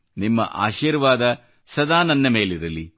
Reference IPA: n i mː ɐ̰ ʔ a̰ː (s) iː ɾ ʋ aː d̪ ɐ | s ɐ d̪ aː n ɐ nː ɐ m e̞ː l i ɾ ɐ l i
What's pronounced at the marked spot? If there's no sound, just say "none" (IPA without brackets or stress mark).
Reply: ʃ